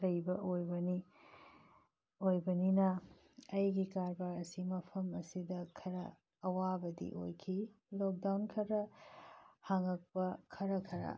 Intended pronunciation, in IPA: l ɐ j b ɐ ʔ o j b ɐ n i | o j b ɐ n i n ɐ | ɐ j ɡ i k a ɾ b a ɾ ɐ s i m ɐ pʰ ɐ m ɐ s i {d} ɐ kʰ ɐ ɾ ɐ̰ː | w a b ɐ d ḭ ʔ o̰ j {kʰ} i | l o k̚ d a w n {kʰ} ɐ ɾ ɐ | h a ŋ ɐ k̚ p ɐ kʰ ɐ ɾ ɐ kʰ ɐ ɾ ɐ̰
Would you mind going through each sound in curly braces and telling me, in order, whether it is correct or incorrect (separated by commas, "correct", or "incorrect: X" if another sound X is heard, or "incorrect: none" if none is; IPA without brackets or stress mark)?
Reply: correct, correct, correct